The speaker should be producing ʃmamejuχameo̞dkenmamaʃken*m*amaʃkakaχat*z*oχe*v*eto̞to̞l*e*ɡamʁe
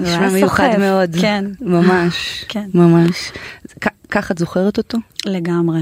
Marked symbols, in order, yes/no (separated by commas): yes, yes, no, yes